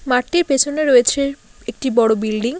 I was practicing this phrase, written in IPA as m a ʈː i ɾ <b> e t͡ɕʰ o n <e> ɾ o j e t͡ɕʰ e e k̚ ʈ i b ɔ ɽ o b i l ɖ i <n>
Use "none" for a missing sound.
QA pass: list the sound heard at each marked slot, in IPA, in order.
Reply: p, e, ŋ

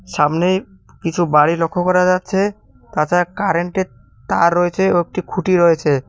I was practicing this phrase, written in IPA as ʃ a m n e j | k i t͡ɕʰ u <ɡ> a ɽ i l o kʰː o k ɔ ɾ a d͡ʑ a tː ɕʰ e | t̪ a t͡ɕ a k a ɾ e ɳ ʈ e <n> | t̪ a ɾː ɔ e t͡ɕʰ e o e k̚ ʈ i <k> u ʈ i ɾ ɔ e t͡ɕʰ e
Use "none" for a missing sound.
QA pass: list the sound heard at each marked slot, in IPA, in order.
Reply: b, none, kʰ

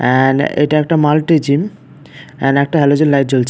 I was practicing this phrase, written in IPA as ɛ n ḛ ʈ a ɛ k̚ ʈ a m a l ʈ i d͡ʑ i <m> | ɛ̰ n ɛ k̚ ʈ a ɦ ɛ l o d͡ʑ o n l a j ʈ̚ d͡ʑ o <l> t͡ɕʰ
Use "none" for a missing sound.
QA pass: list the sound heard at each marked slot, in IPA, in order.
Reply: m, l

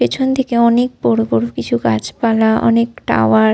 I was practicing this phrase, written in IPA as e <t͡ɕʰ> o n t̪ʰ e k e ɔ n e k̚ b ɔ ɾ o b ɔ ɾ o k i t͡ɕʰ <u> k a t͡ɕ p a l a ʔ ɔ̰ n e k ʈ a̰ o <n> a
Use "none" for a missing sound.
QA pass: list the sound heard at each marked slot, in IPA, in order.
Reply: t͡ɕʰ, u, none

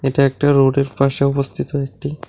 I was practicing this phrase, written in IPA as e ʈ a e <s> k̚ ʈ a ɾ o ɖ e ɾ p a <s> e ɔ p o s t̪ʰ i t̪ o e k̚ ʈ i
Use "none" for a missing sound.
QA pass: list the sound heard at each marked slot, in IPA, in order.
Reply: none, ʃ

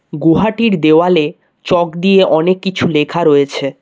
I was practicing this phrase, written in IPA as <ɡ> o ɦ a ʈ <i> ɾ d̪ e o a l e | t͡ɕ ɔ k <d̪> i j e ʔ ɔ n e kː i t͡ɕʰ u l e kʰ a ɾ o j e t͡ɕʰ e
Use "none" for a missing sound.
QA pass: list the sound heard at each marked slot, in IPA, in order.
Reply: ɡ, i, d̪

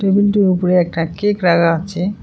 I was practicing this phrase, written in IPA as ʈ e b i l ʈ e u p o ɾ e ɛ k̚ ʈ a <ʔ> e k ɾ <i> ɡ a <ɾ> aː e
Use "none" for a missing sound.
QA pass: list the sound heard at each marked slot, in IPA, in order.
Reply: k, a, none

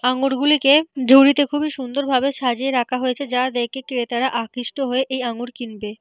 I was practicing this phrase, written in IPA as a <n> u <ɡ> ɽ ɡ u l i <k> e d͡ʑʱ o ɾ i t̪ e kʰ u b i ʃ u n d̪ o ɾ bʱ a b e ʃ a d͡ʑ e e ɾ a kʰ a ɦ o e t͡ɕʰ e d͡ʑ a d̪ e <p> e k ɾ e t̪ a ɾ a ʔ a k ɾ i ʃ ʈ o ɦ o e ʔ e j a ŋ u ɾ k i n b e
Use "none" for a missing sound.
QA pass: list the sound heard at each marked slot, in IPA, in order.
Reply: ŋ, none, k, k

